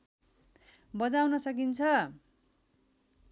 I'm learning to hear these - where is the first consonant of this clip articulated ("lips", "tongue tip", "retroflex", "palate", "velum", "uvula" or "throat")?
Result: lips